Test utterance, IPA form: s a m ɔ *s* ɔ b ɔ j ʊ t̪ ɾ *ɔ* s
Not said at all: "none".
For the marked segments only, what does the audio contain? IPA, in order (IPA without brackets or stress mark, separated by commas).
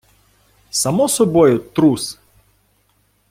s, u